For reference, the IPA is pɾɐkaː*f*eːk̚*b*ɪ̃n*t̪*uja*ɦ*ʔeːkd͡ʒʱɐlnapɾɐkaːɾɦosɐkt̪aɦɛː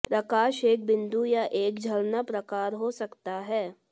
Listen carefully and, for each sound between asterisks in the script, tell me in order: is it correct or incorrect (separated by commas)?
incorrect, correct, incorrect, incorrect